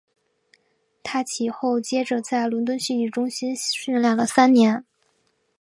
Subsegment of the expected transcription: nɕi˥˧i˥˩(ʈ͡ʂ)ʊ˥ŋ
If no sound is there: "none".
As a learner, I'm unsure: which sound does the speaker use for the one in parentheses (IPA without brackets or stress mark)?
ʈ͡ʂ